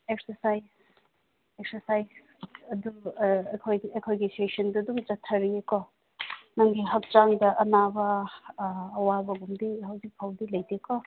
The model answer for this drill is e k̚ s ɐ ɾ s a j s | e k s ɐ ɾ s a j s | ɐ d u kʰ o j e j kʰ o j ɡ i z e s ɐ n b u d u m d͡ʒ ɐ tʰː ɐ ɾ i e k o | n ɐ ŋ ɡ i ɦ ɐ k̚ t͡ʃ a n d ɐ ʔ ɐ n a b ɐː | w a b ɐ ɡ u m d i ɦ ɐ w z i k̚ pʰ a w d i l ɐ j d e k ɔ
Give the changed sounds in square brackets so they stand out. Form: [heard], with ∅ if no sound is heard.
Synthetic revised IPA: e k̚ s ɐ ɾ s a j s | e k s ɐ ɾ s a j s | ɐ d u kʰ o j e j kʰ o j ɡ i [s] e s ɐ n [d] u d u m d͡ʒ ɐ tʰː ɐ ɾ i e k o | n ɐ ŋ ɡ i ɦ ɐ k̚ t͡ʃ a [ŋ] d ɐ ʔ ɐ n a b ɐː | w a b ɐ ɡ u m d i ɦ ɐ w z i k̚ pʰ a w d i l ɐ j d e k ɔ